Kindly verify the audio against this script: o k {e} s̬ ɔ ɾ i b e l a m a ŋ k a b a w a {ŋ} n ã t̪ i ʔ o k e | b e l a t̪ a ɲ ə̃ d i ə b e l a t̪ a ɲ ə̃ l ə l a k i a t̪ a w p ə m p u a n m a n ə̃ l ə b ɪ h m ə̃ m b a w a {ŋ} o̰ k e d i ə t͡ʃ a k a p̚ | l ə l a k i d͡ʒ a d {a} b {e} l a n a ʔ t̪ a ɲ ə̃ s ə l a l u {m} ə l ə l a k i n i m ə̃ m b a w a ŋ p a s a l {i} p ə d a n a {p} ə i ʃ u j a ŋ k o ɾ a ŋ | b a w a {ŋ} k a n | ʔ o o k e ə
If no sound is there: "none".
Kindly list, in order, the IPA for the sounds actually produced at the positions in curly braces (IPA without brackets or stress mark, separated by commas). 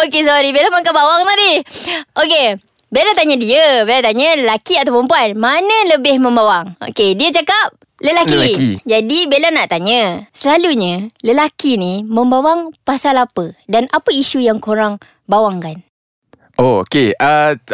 e, ŋ, ŋ, i, e, ɲ, a, p, ŋ